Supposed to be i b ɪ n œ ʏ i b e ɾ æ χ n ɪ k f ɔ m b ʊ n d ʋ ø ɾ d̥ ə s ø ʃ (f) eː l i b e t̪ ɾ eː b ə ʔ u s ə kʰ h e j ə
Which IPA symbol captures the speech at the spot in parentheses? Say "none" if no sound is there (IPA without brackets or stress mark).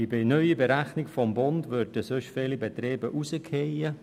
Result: f